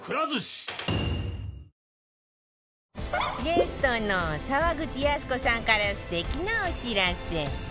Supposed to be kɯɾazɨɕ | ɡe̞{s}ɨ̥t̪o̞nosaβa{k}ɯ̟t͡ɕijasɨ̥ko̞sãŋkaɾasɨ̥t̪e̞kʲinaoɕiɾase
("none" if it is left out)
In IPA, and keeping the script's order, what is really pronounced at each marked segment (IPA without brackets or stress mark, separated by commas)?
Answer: s, ɡ